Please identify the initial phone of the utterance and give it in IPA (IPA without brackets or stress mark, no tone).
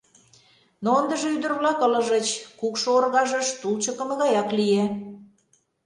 n